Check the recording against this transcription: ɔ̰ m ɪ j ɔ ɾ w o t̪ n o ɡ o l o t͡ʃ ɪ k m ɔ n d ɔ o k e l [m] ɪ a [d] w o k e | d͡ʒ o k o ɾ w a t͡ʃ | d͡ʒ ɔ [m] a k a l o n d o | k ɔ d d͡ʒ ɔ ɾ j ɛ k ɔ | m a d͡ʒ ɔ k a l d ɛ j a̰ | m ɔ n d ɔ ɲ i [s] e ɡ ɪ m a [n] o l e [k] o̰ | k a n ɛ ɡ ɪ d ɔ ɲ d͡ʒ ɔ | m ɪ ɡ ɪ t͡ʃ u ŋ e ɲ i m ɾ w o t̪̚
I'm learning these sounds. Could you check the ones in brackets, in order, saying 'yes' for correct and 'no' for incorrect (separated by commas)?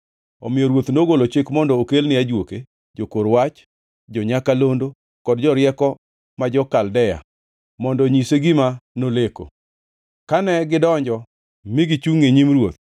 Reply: no, no, no, yes, yes, yes